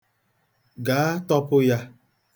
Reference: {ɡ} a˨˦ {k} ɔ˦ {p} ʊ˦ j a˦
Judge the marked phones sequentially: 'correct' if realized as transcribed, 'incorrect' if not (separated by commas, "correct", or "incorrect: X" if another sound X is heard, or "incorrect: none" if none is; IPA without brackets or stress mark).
correct, incorrect: t, correct